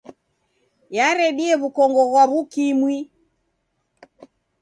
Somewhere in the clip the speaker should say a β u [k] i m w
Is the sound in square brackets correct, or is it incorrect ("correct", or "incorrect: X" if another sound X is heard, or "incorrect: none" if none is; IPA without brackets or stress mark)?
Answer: correct